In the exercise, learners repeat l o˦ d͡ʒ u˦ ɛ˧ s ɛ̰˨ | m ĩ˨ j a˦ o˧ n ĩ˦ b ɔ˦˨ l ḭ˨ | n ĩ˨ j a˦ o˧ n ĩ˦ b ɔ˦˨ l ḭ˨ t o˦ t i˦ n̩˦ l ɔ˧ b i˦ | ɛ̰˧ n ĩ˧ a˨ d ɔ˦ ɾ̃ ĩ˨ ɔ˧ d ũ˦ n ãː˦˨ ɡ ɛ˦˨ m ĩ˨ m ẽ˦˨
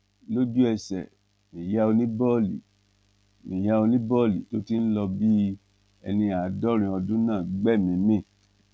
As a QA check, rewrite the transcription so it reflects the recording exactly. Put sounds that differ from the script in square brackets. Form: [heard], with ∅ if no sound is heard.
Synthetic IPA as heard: l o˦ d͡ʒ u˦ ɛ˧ s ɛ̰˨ | m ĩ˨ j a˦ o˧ n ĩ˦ b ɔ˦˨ l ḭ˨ | [m] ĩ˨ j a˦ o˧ n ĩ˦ b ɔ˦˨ l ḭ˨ t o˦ t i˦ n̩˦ l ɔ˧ b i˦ | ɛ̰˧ n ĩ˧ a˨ d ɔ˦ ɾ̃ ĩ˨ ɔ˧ d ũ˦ n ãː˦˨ [ɡ͡b] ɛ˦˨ m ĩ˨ m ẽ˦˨